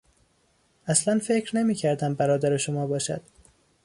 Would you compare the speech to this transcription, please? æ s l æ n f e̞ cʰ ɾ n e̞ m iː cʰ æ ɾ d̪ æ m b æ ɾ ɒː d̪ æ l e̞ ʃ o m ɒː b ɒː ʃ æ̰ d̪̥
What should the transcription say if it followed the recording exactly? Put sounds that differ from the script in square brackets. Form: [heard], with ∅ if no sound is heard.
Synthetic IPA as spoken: æ s l æ n f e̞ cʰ ɾ n e̞ m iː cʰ æ ɾ d̪ æ m b æ ɾ ɒː d̪ æ [ɾ] e̞ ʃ o m ɒː b ɒː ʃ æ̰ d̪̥